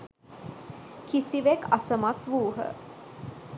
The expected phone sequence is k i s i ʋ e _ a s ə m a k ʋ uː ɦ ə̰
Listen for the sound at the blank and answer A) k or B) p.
A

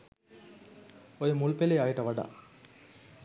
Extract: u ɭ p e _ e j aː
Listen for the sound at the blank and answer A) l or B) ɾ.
A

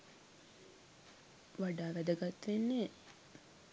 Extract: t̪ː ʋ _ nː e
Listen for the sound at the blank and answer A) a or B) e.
B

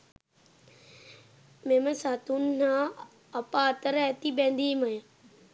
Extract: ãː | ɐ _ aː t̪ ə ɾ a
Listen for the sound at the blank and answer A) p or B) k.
A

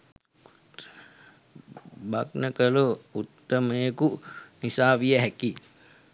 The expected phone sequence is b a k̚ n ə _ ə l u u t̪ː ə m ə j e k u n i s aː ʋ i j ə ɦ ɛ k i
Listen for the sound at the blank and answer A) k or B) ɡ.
A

